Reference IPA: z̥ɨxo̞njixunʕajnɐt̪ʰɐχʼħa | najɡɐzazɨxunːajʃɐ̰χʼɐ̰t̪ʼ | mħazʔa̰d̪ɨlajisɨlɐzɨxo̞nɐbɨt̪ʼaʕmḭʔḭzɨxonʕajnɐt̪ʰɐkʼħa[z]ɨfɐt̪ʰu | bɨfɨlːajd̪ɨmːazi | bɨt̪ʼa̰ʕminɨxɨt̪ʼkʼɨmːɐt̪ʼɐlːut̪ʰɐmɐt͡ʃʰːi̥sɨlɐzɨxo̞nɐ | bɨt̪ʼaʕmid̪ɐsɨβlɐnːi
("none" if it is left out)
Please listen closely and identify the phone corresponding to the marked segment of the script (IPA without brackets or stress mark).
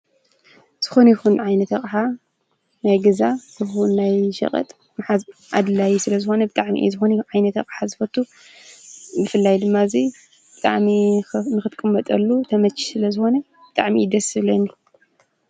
z